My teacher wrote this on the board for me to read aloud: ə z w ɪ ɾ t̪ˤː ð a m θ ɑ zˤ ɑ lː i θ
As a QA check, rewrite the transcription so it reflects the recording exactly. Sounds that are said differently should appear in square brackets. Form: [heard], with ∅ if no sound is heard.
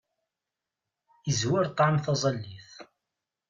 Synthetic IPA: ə z w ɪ ɾ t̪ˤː [ʕ] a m θ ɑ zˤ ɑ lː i θ